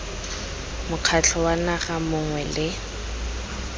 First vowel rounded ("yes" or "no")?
yes